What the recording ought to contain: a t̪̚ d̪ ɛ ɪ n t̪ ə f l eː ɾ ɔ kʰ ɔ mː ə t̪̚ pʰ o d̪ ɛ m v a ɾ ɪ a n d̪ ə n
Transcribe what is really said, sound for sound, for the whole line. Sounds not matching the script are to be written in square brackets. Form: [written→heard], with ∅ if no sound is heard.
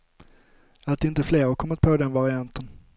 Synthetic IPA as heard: a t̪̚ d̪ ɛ ɪ n t̪ ə f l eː ɾ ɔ kʰ ɔ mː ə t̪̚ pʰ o d̪ ɛ [m→n] v a ɾ ɪ a n [d̪→t̪] ə n